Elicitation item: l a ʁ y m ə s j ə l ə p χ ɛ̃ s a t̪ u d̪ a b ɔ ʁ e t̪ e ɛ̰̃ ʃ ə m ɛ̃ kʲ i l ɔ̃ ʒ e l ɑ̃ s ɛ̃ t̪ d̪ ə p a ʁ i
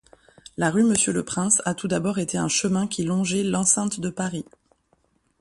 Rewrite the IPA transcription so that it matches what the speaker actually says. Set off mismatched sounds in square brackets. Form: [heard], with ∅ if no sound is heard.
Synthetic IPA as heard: l a ʁ y m ə s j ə l ə p χ ɛ̃ s a t̪ u d̪ a b ɔ ʁ e t̪ e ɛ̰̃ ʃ ə m ɛ̃ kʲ i l ɔ̃ ʒ [ɛ] l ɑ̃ s ɛ̃ t̪ d̪ ə p a ʁ i

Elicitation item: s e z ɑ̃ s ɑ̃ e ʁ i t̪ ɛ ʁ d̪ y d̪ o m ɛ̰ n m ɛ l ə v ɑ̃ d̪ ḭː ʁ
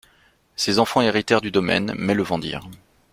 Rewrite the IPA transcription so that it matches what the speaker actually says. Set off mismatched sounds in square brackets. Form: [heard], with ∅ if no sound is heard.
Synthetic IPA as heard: s e z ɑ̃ [f] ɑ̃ e ʁ i t̪ ɛ ʁ d̪ y d̪ [ɔ] m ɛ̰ n m ɛ l ə v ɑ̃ d̪ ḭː ʁ

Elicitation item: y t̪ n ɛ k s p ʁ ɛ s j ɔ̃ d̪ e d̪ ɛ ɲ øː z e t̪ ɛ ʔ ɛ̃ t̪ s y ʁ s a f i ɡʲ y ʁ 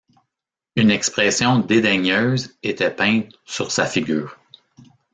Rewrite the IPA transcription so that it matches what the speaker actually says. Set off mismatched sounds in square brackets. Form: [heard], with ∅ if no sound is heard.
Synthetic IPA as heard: y [∅] n ɛ k s p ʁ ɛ s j ɔ̃ d̪ e d̪ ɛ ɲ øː z e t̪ ɛ [p] ɛ̃ t̪ s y ʁ s a f i ɡʲ [yː] ʁ

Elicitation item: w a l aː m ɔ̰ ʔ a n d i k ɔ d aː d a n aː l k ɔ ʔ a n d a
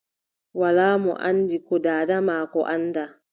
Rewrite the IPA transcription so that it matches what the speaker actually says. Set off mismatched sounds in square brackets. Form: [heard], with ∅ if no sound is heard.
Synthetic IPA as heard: w a l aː m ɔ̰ ʔ a n d i k ɔ d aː d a [m] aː [∅] k ɔ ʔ a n d a

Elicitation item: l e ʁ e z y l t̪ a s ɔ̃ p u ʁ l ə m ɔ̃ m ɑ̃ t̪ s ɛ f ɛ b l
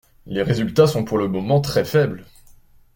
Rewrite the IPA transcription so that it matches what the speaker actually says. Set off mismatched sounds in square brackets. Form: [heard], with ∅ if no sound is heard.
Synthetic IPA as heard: l e ʁ e z y l t̪ a s ɔ̃ p u ʁ l ə m [ɔ] m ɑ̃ t̪ [χ] ɛ f ɛ b l

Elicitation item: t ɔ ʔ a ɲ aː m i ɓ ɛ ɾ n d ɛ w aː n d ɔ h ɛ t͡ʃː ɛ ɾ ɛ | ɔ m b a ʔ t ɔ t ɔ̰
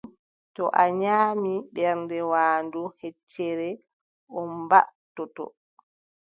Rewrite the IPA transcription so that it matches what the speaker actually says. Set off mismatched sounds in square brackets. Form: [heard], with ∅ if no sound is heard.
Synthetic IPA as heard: t ɔ ʔ a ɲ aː m i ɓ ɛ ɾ n d ɛ w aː n d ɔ h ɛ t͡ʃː ɛ ɾ ɛ | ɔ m b a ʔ t ɔ t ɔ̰

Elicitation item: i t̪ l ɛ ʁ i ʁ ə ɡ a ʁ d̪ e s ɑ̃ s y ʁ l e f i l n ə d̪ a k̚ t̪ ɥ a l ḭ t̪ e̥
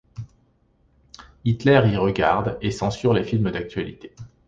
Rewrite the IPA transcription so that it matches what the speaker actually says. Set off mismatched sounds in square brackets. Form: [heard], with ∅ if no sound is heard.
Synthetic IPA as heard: i t̪ l ɛ ʁ i ʁ ə ɡ a ʁ d̪ e s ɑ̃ s y ʁ l e f i l [m] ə d̪ a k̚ t̪ ɥ a l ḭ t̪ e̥

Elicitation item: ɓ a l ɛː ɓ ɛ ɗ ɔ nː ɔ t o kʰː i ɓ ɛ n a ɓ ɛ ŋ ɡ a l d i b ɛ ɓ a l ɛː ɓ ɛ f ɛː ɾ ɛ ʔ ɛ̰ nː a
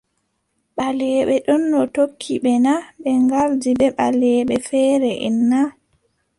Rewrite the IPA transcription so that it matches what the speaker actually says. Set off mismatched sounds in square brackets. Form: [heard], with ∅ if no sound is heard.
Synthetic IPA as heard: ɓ a l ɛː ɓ ɛ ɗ ɔ nː ɔ t o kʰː i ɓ ɛ n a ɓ ɛ ŋ ɡ a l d i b ɛ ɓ a l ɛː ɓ ɛ f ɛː ɾ ɛ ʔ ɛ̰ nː a

